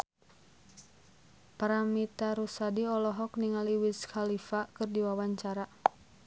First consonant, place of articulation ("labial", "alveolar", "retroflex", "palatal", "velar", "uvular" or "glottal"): labial